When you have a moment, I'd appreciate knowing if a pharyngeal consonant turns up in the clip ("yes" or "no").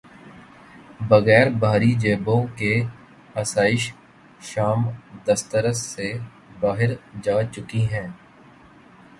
no